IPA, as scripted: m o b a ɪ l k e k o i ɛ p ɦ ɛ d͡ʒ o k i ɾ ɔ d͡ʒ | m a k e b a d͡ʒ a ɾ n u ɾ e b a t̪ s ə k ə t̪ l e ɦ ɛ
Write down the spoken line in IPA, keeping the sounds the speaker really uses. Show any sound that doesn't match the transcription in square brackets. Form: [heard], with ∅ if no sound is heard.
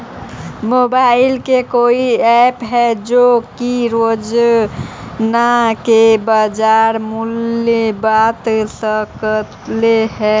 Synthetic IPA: m o b a ɪ l k e k o i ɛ p ɦ ɛ d͡ʒ o k i ɾ [o] d͡ʒ | [n] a k e b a d͡ʒ a ɾ [m] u [l] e b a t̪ s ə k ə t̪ l e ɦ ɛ